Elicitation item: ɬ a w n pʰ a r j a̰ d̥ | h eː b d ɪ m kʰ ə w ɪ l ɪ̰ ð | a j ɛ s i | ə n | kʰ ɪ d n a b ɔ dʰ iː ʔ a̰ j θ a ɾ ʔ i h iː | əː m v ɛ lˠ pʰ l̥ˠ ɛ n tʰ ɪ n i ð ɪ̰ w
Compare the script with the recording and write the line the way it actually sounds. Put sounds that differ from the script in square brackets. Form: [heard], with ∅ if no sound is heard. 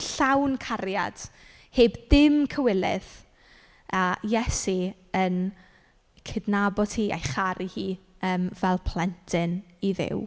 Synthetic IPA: ɬ a w n [kʰ] a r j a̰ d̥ | h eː b d ɪ m kʰ ə w ɪ l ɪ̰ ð | a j ɛ s i | ə n | kʰ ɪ d n a b ɔ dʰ iː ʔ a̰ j [χ] a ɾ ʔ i h iː | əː m v ɛ lˠ pʰ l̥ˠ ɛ n tʰ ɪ n i ð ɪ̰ w